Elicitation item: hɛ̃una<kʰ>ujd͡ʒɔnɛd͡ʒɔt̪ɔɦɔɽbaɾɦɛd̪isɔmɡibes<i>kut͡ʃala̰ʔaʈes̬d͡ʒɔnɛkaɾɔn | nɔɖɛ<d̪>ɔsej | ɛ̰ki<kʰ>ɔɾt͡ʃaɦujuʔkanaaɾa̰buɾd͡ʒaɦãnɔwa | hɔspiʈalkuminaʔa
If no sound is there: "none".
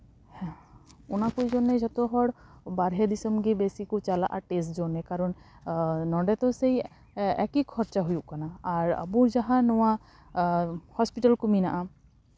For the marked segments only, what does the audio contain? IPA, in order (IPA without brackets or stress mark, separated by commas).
k, i, t̪, kʰ